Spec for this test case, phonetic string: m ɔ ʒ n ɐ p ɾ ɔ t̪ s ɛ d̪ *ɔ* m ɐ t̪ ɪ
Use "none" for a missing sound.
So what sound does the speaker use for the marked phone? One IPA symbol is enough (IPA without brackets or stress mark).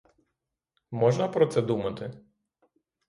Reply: u